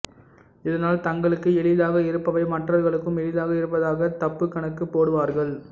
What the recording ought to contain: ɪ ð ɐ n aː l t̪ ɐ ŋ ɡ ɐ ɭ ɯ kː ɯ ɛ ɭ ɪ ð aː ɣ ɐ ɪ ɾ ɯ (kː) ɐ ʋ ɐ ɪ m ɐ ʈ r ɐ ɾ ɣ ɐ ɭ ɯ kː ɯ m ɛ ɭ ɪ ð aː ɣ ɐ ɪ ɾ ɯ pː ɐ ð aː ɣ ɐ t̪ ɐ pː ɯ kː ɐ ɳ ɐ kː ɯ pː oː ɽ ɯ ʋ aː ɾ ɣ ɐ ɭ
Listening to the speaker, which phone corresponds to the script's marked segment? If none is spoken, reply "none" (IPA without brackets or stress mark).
pː